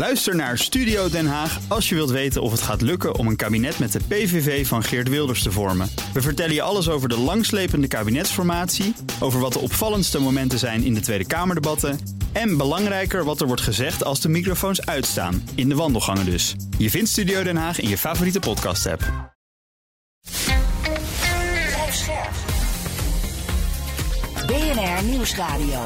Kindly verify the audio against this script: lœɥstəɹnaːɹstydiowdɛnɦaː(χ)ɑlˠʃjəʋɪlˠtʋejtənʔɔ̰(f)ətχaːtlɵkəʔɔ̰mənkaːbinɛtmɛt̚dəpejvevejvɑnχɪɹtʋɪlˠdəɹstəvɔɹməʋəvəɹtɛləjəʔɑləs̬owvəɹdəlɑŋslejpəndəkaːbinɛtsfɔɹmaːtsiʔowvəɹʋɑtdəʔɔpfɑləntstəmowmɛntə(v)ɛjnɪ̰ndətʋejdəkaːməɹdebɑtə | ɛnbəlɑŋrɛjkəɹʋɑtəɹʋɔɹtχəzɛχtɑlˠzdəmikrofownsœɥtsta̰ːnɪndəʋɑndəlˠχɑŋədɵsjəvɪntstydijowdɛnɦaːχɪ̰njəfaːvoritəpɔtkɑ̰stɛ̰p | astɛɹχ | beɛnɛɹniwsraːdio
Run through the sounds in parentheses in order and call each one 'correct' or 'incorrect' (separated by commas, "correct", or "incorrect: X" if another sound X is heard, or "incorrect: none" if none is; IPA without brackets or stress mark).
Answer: correct, correct, incorrect: z